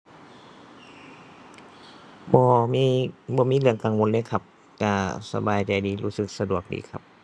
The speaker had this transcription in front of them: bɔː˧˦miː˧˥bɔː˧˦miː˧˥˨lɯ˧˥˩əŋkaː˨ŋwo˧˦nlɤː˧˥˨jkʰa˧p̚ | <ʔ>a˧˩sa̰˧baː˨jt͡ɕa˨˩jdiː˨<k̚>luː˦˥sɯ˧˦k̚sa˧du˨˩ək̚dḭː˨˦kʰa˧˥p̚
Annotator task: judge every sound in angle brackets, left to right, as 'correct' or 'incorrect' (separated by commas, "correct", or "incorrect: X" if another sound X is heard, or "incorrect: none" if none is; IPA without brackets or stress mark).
incorrect: k, incorrect: none